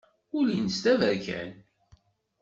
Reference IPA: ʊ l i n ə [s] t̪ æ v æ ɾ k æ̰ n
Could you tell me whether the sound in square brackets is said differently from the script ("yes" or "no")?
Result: no